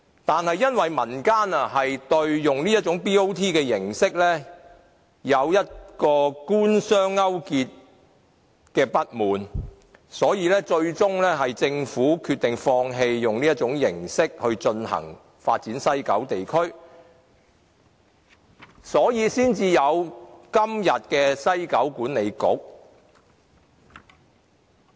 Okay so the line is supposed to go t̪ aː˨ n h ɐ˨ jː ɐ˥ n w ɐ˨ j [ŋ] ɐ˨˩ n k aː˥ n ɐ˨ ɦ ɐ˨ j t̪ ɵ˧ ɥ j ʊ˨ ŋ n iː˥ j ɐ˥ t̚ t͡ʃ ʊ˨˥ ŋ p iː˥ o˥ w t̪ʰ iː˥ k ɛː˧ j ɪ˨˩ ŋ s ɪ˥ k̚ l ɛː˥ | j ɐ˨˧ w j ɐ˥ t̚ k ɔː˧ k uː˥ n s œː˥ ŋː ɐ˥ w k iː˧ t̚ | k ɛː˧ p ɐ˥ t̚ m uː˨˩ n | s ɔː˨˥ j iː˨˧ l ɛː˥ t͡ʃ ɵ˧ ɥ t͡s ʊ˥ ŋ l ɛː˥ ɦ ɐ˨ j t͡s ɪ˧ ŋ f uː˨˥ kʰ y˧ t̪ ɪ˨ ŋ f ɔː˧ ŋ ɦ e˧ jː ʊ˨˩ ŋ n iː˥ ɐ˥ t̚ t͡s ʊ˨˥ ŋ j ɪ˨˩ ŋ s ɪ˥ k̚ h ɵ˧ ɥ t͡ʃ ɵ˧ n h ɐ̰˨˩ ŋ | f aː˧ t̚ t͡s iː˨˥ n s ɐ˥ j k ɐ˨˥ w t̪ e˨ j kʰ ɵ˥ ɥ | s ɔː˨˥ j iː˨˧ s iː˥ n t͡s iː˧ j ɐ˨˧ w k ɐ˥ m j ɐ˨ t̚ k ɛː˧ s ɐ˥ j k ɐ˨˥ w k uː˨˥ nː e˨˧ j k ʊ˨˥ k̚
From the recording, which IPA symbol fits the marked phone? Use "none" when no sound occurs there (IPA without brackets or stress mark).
m